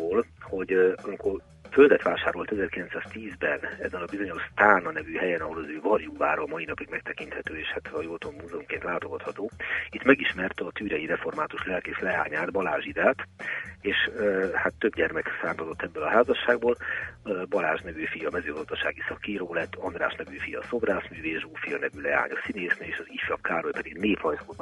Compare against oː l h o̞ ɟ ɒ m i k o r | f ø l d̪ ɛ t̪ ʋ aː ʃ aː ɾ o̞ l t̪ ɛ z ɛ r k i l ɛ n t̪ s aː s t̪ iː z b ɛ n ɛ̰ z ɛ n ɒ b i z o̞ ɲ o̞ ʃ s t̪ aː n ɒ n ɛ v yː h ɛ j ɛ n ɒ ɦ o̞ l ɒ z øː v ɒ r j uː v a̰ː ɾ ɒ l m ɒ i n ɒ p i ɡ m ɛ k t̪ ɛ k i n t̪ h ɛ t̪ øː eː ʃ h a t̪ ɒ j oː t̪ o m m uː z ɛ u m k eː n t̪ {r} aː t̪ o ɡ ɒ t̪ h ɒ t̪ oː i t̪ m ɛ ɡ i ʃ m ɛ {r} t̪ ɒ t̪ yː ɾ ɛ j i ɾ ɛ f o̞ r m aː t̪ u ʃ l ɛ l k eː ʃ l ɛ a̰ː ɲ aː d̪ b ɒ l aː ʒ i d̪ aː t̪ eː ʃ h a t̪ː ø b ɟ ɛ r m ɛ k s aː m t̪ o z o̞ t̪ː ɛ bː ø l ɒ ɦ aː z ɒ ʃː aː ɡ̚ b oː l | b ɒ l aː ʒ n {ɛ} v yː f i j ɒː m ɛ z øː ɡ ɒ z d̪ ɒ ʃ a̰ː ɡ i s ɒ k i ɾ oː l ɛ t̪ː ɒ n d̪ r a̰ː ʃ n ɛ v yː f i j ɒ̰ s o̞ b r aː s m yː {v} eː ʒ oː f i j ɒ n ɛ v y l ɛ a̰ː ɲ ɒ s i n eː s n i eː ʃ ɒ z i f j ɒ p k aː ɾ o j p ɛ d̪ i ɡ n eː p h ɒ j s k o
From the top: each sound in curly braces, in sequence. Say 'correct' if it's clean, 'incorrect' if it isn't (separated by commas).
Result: incorrect, correct, correct, correct